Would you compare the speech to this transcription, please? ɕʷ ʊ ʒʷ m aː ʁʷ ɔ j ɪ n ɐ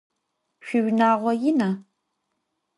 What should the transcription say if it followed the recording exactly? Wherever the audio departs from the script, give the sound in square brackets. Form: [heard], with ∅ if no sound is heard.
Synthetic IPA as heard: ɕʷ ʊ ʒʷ [n] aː ʁʷ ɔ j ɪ n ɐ